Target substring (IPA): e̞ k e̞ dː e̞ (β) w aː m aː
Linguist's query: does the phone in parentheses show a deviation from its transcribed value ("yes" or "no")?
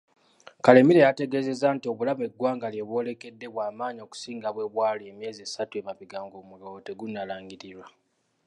no